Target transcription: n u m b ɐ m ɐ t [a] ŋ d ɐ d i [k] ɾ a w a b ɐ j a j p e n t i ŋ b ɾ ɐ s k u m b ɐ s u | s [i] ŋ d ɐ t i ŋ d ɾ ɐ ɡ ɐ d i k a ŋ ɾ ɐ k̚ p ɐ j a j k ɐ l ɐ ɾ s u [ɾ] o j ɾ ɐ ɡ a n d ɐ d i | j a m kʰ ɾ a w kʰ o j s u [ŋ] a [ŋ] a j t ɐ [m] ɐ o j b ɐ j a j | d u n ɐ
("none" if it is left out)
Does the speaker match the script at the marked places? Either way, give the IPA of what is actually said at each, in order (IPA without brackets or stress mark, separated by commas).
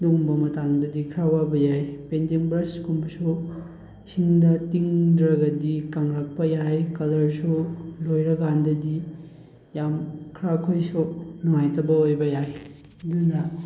a, kʰ, i, l, n, ŋ, b